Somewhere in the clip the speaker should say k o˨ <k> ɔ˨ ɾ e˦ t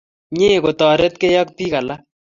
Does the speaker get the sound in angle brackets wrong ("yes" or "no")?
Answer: yes